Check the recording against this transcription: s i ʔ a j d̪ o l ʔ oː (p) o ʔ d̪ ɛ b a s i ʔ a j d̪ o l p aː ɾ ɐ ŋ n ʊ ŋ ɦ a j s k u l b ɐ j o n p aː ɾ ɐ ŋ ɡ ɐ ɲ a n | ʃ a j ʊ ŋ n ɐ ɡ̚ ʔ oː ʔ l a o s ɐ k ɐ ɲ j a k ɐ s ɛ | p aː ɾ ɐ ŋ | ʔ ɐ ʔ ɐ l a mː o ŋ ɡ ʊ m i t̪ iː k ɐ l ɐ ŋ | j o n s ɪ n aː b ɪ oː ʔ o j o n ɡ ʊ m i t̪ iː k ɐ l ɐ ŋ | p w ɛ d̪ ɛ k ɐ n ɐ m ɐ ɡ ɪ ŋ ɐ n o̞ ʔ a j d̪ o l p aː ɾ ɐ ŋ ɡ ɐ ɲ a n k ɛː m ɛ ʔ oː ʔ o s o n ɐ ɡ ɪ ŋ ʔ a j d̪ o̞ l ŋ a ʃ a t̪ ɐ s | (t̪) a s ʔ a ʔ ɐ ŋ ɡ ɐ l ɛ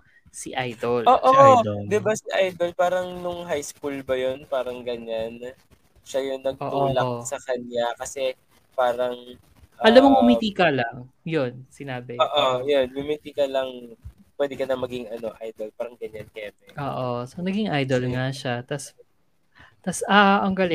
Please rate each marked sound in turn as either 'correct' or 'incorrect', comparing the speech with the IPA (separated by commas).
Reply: incorrect, correct